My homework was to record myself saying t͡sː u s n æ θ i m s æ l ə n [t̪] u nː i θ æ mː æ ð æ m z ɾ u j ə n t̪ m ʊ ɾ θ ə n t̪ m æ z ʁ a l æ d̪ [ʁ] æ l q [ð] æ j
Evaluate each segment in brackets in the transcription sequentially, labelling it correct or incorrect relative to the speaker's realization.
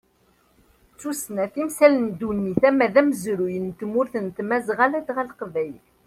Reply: incorrect, correct, incorrect

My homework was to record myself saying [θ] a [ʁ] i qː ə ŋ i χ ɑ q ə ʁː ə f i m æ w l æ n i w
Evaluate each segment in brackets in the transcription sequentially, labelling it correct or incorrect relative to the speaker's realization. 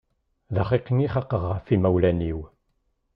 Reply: incorrect, incorrect

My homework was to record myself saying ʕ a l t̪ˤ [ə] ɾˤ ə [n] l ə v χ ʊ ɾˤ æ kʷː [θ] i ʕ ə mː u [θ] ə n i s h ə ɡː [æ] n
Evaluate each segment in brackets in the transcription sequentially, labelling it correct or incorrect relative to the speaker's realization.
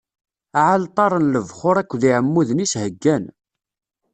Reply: incorrect, correct, incorrect, incorrect, correct

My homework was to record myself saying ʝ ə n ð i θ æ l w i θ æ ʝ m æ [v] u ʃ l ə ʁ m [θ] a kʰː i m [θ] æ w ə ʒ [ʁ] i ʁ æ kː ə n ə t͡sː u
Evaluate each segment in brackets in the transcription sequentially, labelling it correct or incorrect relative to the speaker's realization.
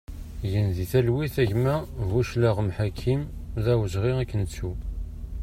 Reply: correct, incorrect, incorrect, correct

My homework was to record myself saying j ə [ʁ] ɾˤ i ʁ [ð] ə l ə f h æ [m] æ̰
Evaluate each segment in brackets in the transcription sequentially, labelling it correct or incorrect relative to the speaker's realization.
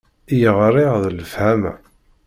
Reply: correct, correct, correct

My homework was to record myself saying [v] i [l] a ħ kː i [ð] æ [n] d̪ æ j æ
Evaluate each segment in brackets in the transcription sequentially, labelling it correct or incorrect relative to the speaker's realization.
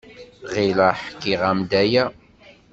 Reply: incorrect, correct, incorrect, incorrect

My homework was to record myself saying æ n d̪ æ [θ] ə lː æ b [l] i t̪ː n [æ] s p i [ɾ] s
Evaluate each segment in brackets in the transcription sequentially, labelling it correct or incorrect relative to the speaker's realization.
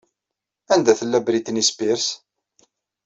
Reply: correct, incorrect, incorrect, correct

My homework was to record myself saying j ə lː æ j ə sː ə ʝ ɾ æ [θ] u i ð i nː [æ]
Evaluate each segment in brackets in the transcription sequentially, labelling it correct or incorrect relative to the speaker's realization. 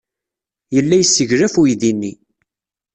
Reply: incorrect, incorrect

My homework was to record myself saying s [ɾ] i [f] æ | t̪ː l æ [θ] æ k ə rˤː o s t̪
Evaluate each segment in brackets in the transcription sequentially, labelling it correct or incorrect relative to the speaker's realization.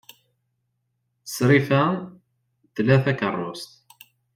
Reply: correct, correct, correct

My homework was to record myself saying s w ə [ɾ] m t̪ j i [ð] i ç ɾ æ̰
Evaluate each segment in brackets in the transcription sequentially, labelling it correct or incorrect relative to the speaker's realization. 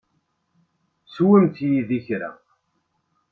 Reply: incorrect, correct

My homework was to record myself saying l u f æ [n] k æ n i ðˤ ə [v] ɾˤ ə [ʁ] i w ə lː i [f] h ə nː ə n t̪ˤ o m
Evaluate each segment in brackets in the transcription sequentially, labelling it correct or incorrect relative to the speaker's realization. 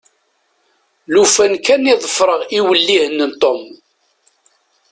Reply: correct, incorrect, correct, incorrect

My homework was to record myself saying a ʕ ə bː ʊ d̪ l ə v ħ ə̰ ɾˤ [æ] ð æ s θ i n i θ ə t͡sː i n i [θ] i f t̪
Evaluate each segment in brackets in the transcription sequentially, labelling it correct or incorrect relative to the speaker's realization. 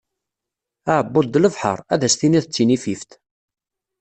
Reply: correct, incorrect

